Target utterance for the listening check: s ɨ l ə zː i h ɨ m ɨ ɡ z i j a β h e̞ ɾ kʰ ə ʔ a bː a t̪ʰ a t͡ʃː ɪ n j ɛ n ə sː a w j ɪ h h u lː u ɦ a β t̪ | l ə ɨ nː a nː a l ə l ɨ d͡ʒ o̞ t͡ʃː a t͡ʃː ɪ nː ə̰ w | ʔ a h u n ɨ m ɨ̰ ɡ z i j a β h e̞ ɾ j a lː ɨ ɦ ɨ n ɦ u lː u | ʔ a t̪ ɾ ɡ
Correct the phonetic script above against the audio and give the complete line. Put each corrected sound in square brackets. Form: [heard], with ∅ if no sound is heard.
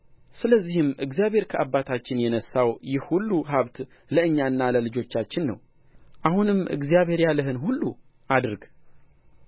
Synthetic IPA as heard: s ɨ l ə zː i h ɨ m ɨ ɡ z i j a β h e̞ ɾ kʰ ə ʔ a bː a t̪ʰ a t͡ʃː ɪ n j ɛ n ə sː a w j ɪ h h u lː u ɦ a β t̪ | l ə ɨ [ɲː] a nː a l ə l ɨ d͡ʒ o̞ t͡ʃː a t͡ʃː ɪ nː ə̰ w | ʔ a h u n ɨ m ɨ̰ ɡ z i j a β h e̞ ɾ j a [l] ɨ ɦ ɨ n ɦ u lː u | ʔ a [d̪] ɾ ɡ

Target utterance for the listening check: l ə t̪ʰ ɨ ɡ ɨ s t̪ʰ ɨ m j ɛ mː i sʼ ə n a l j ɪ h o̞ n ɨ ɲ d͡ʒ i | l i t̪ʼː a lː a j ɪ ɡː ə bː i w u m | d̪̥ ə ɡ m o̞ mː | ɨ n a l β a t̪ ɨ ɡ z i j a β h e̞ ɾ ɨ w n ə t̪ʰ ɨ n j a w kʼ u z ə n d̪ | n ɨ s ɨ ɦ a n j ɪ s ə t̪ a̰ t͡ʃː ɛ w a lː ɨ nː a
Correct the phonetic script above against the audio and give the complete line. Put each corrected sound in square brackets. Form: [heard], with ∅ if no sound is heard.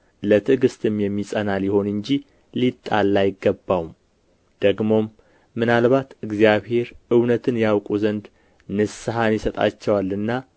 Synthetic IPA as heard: l ə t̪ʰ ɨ ɡ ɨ s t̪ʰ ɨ m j ɛ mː i sʼ ə n a l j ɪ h o̞ n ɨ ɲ d͡ʒ i | l i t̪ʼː a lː a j ɪ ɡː ə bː [a] w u m | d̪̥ ə ɡ m o̞ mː | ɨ n a l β a t̪ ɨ ɡ z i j a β h e̞ ɾ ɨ w n ə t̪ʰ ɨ n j a w kʼ u z ə n d̪ | n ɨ s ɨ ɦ a n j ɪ s ə [t̪ʼ] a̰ t͡ʃː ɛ w a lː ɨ nː a

